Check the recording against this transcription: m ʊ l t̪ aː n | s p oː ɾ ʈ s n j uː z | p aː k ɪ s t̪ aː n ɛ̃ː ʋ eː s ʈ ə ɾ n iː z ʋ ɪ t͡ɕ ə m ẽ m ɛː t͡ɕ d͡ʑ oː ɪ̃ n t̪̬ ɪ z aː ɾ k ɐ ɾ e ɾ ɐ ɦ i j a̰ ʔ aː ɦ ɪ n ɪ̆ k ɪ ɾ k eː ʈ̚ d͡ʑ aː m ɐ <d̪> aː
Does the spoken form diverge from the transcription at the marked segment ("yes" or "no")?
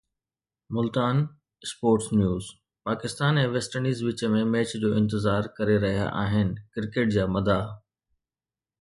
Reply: no